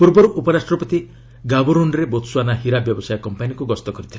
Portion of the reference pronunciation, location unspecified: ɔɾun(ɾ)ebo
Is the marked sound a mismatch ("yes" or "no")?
no